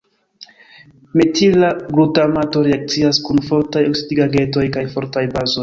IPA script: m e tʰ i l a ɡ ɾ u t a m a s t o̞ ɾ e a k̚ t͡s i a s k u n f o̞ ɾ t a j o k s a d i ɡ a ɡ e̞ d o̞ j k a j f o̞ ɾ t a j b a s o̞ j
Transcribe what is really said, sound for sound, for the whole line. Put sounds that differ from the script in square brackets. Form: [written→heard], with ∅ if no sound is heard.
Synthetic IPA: m e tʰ i l a ɡ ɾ u t a m a [s→∅] t o̞ ɾ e a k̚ t͡s i a s k u n f o̞ ɾ t a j o k s [a→i] d i ɡ a ɡ e̞ [d→t] o̞ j k a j f o̞ ɾ t a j b a [s→z] o̞ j